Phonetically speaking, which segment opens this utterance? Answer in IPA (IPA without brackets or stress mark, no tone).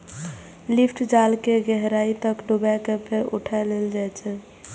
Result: l